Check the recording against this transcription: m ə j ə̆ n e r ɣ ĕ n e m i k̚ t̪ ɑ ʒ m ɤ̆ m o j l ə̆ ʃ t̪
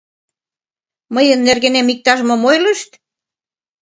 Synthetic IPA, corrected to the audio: m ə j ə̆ nː e r ɣ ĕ n e m i k̚ t̪ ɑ ʒ m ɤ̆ m o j l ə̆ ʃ t̪